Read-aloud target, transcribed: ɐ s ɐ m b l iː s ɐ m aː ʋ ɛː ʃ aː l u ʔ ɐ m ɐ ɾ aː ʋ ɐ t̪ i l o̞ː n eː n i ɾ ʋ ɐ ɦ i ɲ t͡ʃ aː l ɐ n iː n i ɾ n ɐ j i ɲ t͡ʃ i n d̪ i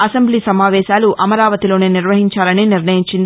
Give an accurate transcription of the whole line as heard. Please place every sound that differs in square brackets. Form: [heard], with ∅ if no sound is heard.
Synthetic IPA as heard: ɐ s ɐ m b l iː s ɐ m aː ʋ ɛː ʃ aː l u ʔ ɐ m ɐ ɾ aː ʋ ɐ t̪ i l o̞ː n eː n i ɾ ʋ ɐ ɦ i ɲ t͡ʃ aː l ɐ n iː n i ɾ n ɐ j i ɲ t͡ʃ i n d̪ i

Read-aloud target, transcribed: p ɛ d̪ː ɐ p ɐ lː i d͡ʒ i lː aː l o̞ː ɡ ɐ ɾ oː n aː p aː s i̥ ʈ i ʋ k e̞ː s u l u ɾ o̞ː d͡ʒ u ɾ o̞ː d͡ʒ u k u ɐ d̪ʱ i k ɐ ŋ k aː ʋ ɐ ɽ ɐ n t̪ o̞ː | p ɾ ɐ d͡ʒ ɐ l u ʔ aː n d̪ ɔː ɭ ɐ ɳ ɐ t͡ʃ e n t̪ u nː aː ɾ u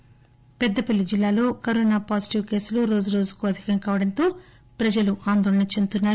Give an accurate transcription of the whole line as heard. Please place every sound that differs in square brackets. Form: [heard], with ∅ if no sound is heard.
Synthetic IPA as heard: p ɛ d̪ː ɐ p ɐ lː i d͡ʒ i lː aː l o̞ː [k] ɐ ɾ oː n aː p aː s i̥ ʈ i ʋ k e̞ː s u l u ɾ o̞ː d͡ʒ u ɾ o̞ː d͡ʒ u k u ɐ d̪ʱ i k ɐ ŋ k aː ʋ ɐ ɽ ɐ n t̪ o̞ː | p ɾ ɐ d͡ʒ ɐ l u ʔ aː n d̪ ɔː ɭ ɐ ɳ ɐ t͡ʃ e n t̪ u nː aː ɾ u

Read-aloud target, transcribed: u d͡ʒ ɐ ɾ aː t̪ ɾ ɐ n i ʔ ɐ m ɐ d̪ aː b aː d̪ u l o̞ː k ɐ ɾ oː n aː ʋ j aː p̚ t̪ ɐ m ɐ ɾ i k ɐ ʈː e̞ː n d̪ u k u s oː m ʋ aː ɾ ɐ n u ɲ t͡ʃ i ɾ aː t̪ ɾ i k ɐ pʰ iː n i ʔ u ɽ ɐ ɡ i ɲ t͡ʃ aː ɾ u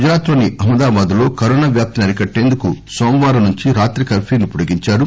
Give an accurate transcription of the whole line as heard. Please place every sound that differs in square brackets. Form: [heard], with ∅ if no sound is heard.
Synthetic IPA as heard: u d͡ʒ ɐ ɾ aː t̪ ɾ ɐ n i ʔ ɐ m ɐ d̪ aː b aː d̪ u l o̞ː k ɐ ɾ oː n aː ʋ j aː p̚ t̪ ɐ [n] ɐ ɾ i k ɐ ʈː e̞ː n d̪ u k u s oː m ʋ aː ɾ ɐ n u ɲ t͡ʃ i ɾ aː t̪ ɾ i k ɐ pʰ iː n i [p] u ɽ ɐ ɡ i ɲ t͡ʃ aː ɾ u

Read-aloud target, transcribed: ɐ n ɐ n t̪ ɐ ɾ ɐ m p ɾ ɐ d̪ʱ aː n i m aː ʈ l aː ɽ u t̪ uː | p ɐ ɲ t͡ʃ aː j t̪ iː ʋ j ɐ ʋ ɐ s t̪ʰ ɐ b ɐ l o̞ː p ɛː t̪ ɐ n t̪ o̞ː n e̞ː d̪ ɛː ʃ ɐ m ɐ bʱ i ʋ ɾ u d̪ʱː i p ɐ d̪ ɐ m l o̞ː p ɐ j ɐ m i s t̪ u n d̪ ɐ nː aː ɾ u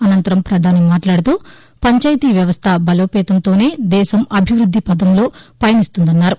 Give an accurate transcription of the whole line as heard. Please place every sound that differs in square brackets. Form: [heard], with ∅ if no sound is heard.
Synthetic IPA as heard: ɐ n ɐ n t̪ ɐ ɾ ɐ m p ɾ ɐ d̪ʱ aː n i m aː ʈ l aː ɽ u t̪ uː | p ɐ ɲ t͡ʃ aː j t̪ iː ʋ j ɐ ʋ ɐ s t̪ʰ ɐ b ɐ l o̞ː p ɛː t̪ ɐ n t̪ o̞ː n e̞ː d̪ ɛː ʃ ɐ m ɐ bʱ i ʋ ɾ u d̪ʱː i p ɐ d̪ ɐ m l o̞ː p ɐ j ɐ [n] i s t̪ u n d̪ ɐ nː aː ɾ u

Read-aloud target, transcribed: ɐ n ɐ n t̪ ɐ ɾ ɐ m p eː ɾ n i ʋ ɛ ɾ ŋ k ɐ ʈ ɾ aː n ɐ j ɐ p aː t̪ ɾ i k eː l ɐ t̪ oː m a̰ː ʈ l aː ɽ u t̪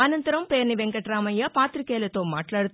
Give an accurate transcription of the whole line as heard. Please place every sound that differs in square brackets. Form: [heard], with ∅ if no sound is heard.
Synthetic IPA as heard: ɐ n ɐ n t̪ ɐ ɾ ɐ m p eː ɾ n i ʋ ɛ [∅] ŋ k ɐ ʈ ɾ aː [m] ɐ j ɐ p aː t̪ ɾ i k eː l ɐ t̪ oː m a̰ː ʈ l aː ɽ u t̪

